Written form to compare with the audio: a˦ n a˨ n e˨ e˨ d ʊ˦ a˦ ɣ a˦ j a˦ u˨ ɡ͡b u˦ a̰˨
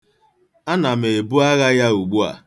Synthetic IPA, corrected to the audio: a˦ n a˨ m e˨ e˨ b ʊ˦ a˦ ɣ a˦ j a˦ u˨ ɡ͡b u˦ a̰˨